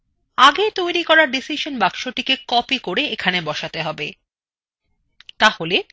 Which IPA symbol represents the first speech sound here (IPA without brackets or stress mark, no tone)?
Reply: a